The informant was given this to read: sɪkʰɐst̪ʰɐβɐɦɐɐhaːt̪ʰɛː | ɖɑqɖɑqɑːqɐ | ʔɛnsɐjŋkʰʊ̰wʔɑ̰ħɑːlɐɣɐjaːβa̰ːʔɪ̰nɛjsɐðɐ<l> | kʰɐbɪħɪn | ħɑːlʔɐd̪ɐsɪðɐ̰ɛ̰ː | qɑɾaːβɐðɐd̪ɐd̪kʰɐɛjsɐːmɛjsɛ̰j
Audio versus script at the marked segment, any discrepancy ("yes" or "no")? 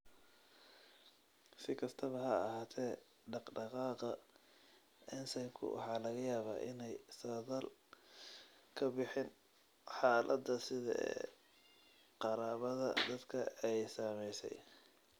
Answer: no